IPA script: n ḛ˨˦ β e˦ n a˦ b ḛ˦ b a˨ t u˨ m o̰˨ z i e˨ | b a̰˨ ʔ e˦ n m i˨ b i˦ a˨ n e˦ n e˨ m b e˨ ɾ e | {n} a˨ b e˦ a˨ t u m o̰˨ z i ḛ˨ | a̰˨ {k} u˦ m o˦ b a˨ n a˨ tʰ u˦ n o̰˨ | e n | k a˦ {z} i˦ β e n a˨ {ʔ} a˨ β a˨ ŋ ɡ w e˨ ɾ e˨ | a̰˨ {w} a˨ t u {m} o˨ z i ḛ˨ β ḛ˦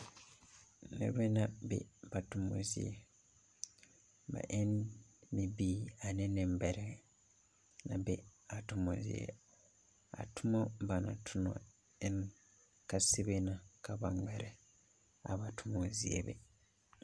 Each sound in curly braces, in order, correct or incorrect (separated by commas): correct, incorrect, incorrect, incorrect, incorrect, correct